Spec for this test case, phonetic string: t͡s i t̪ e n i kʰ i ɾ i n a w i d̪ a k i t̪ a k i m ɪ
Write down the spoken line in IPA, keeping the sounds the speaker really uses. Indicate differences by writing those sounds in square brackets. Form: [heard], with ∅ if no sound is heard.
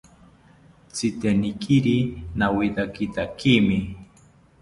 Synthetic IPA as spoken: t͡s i t̪ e n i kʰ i ɾ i n a w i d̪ a k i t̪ a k i m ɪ